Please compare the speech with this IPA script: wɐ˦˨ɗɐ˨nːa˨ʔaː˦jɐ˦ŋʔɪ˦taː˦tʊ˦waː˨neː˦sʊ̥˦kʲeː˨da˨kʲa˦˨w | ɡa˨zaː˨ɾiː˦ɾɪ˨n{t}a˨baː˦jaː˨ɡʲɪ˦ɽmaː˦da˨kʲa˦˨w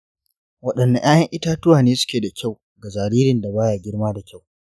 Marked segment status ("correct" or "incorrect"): incorrect